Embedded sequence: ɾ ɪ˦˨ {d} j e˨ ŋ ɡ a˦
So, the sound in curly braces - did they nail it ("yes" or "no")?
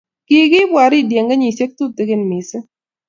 yes